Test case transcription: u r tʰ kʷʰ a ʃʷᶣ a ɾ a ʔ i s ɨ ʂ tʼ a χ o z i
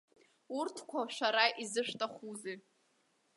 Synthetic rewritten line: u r tʰ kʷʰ a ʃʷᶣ a ɾ a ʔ i z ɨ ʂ tʼ a χ u z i